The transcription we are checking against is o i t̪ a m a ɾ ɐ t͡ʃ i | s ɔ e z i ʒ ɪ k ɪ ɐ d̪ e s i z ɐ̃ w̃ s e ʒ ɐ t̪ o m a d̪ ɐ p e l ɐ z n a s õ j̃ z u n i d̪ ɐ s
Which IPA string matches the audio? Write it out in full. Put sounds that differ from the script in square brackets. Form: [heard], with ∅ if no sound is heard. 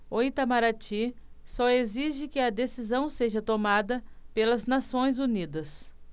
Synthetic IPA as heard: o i t̪ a m a ɾ [a] t͡ʃ i | s ɔ e z i ʒ ɪ k ɪ ɐ d̪ e s i z ɐ̃ w̃ s e ʒ ɐ t̪ o m a d̪ ɐ p e l ɐ z n a s õ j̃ z u n i d̪ ɐ s